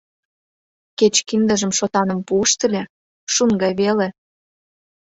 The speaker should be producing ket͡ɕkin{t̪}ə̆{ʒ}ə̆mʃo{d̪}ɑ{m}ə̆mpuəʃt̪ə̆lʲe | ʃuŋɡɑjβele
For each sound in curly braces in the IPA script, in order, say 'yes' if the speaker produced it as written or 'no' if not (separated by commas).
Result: no, yes, no, no